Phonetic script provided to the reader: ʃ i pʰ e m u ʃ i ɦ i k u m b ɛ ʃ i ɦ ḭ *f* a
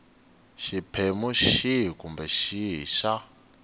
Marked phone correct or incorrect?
incorrect